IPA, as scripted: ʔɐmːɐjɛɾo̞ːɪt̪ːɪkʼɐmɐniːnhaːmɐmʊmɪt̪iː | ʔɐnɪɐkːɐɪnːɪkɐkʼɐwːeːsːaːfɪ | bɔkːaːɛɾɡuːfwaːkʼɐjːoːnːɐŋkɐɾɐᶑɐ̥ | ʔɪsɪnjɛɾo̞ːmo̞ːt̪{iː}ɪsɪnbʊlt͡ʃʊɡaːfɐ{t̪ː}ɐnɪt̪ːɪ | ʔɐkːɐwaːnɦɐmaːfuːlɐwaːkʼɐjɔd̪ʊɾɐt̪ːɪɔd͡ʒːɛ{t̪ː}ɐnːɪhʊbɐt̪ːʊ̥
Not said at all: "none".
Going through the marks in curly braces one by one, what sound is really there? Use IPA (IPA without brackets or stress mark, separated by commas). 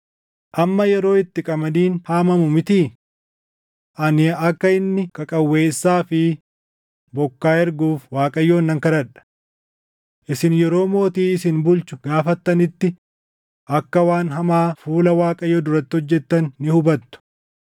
iː, t̪ː, t̪ː